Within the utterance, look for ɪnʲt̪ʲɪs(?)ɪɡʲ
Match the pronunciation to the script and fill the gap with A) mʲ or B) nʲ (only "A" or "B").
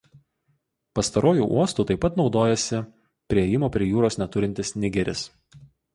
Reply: B